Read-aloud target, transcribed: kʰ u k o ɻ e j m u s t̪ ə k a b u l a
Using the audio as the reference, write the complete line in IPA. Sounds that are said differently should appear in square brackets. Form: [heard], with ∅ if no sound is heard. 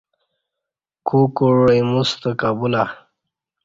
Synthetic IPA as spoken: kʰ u k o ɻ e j m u s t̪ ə k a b u l a